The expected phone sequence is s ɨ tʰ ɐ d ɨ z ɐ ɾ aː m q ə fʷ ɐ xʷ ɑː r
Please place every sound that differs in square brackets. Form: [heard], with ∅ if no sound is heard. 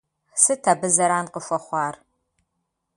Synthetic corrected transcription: s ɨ tʰ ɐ [b] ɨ z ɐ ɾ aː [n] q ə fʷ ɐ [χʷ] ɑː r